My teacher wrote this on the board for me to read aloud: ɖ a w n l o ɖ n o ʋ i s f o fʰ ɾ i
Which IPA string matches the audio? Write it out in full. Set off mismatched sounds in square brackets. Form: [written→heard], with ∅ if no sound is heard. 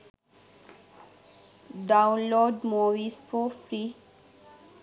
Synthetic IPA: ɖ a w n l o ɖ [n→m] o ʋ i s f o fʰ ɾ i